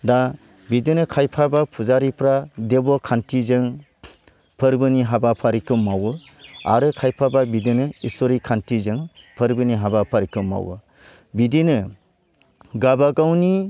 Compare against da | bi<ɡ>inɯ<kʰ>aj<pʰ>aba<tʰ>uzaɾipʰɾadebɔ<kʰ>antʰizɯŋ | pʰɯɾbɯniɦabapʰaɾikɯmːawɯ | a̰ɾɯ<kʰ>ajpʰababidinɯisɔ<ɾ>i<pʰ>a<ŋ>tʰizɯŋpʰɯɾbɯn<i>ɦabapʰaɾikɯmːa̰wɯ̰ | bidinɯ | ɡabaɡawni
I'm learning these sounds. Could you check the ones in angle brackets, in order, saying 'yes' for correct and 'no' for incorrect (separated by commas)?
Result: no, yes, yes, no, yes, yes, yes, no, no, yes